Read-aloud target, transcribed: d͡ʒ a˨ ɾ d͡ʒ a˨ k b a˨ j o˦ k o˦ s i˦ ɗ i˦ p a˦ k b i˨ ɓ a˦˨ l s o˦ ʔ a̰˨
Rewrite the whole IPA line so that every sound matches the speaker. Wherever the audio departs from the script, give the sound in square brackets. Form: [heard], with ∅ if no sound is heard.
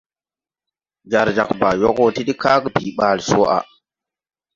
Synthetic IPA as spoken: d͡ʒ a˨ ɾ d͡ʒ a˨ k b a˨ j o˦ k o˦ [t] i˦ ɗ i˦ [k] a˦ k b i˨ ɓ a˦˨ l s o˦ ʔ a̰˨